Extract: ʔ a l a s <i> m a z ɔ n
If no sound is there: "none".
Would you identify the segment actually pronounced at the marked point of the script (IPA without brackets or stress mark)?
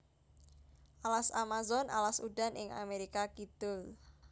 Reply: a